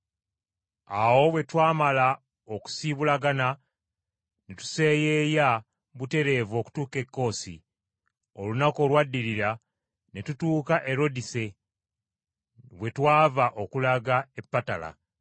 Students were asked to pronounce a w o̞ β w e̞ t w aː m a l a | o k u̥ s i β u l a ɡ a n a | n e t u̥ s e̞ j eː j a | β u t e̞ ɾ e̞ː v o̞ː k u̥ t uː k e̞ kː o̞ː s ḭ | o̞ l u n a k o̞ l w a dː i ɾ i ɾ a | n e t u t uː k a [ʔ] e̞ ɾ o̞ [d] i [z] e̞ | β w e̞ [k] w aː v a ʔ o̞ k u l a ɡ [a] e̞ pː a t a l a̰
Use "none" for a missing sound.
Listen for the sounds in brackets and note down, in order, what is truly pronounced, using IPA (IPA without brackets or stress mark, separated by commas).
ʔ, d, s, t, a